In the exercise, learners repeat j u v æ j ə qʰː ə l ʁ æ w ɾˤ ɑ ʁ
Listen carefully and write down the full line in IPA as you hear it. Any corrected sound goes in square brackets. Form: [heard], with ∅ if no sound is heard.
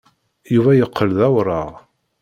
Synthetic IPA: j u v æ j ə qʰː ə l [ð] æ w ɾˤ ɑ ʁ

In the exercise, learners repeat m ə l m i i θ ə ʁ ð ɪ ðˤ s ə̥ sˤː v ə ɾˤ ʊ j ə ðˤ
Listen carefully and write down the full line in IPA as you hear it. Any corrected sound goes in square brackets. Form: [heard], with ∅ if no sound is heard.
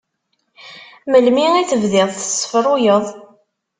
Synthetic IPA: m ə l m i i θ ə [v] ð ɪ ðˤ [θ] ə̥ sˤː [f] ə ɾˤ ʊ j ə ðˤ

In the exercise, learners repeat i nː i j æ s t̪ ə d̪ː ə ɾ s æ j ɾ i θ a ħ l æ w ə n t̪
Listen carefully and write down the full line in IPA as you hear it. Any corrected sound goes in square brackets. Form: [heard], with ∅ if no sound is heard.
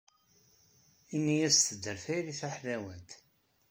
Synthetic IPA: i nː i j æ s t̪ ə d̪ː ə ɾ [f] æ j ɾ i θ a ħ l æ w ə n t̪

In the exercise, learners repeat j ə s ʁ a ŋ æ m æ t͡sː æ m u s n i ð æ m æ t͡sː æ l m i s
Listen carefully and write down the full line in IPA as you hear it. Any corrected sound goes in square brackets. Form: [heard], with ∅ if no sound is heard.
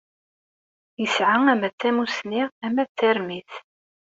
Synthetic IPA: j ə s [ʕ] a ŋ æ m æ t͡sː æ m u s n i [ʁ] æ m æ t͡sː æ [ɾ] m i [θ]

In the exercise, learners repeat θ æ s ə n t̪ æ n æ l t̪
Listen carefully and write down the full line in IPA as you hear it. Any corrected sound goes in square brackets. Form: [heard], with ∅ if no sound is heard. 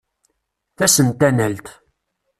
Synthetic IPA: θ æ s ə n t̪ æ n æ l t̪

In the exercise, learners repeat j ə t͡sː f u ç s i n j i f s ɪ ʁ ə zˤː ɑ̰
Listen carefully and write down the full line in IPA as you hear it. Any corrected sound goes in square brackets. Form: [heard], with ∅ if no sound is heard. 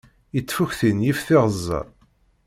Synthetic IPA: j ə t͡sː f u ç [θ] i n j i f [θ] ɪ ʁ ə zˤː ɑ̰

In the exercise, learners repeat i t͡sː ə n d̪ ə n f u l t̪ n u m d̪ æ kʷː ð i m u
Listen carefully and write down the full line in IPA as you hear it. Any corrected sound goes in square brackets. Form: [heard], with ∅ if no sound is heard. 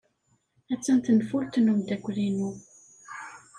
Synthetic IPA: [æ] t͡sː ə n [t̪] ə n f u l t̪ n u m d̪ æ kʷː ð i [n] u

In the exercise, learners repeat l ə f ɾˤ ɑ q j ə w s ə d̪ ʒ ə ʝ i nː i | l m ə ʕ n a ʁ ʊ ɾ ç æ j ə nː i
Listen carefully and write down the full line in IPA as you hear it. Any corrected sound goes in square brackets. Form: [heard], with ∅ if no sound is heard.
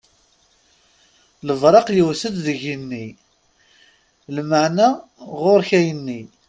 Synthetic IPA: l ə [v] ɾˤ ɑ q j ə w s ə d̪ [ð] ə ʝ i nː i | l m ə ʕ n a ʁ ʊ ɾ ç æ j ə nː i

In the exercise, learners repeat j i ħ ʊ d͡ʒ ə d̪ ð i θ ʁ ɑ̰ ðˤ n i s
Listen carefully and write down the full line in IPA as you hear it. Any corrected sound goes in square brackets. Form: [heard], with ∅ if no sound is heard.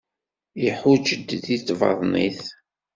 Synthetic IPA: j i ħ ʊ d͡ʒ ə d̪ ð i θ [v] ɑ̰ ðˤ n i [θ]

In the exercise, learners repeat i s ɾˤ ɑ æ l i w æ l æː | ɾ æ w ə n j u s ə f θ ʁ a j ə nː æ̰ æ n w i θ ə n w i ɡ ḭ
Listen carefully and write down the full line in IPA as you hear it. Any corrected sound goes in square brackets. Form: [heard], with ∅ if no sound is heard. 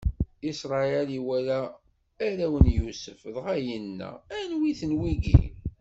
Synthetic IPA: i s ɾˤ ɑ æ l i w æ l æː | ɾ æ w ə n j u s ə f [ð] ʁ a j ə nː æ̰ æ n w i θ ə n w i ɡ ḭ

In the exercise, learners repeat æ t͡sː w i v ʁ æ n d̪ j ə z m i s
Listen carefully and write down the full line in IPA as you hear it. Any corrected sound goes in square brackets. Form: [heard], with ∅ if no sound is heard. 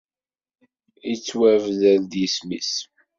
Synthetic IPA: [i] t͡sː w [æ] v [ð] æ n d̪ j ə [s] m i s

